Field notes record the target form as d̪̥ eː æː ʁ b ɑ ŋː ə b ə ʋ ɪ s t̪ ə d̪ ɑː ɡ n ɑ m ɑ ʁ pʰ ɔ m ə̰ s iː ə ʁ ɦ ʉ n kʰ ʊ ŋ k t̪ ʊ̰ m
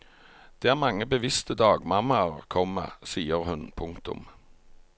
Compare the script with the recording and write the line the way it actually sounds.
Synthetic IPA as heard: d̪̥ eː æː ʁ m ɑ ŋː ə b ə ʋ ɪ s t̪ ə d̪ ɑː ɡ m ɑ m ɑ ʁ kʰ ɔ m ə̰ s iː ə ʁ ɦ ʉ n pʰ ʊ ŋ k t̪ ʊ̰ m